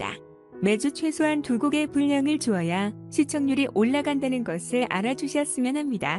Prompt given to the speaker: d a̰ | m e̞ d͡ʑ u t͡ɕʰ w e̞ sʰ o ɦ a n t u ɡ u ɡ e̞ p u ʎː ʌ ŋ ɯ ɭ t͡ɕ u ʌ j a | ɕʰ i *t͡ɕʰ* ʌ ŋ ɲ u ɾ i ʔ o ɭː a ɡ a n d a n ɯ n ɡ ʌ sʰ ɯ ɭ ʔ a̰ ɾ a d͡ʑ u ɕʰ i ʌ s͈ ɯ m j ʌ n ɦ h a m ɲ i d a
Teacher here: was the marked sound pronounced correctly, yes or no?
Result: yes